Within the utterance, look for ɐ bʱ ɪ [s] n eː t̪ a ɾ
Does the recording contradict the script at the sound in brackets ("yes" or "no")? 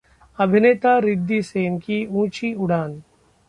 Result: yes